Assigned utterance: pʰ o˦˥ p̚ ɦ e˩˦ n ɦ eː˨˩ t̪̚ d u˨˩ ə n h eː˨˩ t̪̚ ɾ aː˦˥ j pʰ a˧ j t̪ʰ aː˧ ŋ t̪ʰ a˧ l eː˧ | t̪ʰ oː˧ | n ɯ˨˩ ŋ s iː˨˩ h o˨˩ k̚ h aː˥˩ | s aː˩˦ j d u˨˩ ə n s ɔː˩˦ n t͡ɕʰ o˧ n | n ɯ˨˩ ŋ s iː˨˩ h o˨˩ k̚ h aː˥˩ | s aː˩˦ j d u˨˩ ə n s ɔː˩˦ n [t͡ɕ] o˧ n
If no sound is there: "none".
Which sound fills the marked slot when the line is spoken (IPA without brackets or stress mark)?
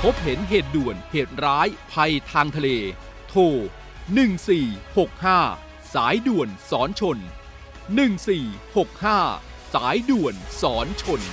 t͡ɕʰ